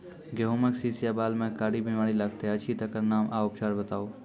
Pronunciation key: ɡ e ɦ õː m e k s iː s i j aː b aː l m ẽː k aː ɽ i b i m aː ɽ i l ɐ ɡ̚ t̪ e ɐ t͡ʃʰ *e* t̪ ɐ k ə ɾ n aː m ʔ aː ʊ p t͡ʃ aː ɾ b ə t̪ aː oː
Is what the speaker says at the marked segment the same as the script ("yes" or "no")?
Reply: no